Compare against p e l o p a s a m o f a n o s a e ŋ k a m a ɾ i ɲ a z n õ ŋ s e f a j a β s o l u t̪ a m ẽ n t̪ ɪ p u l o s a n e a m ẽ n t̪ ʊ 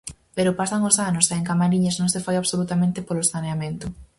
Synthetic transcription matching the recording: p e ɾ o p a s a ŋ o s a n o s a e ŋ k a m a ɾ i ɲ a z n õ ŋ s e f a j a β s o l u t̪ a m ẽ n t̪ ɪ p o l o s a n e a m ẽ n t̪ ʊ